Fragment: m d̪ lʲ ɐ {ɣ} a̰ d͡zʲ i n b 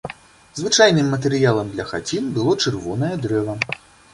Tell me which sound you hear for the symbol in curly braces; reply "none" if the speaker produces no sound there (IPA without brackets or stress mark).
x